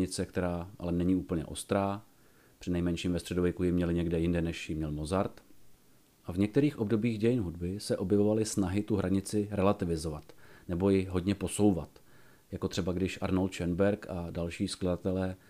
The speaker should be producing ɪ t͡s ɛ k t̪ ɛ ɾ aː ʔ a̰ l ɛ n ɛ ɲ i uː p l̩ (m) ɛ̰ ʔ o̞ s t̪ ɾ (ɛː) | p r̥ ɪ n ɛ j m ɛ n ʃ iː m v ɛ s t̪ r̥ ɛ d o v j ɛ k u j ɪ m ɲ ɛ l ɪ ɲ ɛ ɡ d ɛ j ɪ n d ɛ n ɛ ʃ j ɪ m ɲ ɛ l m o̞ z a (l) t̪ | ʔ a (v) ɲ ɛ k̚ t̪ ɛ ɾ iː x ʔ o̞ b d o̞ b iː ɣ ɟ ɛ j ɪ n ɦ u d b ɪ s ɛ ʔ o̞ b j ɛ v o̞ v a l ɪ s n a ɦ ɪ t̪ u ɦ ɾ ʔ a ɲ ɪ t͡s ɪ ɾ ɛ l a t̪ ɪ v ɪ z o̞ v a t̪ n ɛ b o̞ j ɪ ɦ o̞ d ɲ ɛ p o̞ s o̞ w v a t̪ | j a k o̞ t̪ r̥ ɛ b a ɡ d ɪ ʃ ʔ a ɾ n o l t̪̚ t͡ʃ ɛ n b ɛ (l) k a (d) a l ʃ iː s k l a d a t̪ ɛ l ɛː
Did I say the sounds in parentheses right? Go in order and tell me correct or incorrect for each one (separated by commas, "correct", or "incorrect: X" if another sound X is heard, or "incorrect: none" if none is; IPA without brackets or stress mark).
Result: incorrect: ɲ, incorrect: aː, incorrect: ɾ, correct, incorrect: ɾ, correct